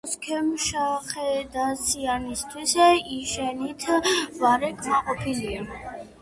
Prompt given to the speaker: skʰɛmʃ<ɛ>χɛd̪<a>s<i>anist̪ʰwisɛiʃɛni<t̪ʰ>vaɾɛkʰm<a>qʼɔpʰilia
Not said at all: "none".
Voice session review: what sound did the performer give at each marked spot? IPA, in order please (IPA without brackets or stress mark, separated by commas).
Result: a, a, i, t̪ʰ, a